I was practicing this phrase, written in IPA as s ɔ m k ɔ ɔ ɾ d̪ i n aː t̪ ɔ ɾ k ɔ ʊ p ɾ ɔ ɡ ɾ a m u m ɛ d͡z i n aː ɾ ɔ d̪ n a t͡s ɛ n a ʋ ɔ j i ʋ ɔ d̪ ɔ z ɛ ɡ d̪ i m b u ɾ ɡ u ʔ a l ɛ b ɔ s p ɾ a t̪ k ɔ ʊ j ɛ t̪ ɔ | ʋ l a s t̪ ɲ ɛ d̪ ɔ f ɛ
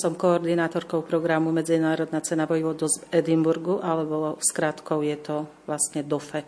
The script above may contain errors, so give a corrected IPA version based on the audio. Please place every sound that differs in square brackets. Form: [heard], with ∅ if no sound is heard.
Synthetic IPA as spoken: s ɔ m k ɔ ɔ ɾ d̪ i n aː t̪ ɔ ɾ k ɔ ʊ p ɾ ɔ ɡ ɾ a m u m ɛ d͡z i n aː ɾ ɔ d̪ n a t͡s ɛ n a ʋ ɔ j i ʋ ɔ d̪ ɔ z ɛ [∅] d̪ i m b u ɾ ɡ u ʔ a l ɛ b ɔ s [k] ɾ a t̪ k ɔ ʊ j ɛ t̪ ɔ | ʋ l a s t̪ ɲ ɛ d̪ ɔ f ɛ